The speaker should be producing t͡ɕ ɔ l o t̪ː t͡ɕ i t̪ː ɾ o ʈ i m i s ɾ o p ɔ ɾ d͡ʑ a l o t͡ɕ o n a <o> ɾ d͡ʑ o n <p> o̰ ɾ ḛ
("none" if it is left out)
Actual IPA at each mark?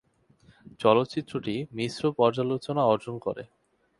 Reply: ɔ, k

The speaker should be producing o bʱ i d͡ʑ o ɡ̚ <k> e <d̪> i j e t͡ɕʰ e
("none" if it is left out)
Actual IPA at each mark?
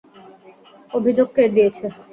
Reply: k, d̪

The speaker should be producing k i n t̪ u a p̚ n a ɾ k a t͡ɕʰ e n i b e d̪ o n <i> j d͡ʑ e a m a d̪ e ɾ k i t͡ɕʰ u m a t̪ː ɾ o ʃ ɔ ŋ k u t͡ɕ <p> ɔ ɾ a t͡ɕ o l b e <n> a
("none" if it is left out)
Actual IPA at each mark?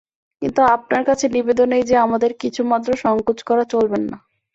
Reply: e, k, nː

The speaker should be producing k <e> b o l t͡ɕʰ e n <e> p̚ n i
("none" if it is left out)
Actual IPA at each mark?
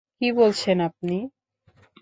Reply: i, a

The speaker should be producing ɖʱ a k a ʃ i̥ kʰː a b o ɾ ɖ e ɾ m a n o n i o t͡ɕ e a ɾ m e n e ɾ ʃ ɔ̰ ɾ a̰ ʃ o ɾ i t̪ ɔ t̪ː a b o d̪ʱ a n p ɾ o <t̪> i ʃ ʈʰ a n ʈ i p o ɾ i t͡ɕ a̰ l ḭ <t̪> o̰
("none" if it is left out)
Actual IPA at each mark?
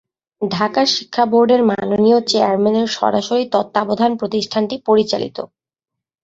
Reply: t̪, t̪

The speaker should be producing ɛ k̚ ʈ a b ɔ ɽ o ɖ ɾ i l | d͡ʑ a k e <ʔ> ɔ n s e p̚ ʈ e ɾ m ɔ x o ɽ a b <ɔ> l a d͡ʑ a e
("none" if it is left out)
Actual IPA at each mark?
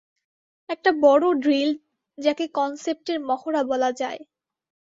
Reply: k, ɔ

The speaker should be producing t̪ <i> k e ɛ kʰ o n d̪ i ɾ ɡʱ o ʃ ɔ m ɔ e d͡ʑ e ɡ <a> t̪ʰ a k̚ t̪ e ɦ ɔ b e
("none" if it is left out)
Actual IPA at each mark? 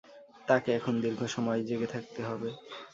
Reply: a, e

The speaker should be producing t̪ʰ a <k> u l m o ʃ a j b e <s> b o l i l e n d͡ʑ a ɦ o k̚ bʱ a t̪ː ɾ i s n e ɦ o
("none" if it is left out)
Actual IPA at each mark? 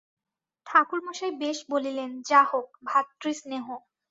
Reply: k, ʃ

